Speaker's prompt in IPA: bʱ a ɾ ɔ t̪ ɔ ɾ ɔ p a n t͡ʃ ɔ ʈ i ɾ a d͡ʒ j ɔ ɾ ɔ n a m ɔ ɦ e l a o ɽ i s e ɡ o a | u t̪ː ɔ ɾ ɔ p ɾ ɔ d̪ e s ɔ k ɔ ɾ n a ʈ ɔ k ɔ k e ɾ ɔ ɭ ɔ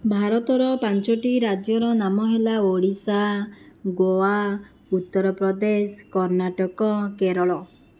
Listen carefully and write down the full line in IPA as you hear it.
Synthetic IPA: bʱ a ɾ ɔ t̪ ɔ ɾ ɔ p a n t͡ʃ ɔ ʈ i ɾ a d͡ʒ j ɔ ɾ ɔ n a m ɔ ɦ e l a o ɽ i s a ɡ o a | u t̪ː ɔ ɾ ɔ p ɾ ɔ d̪ e s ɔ k ɔ ɾ n a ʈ ɔ k ɔ k e ɾ ɔ ɭ ɔ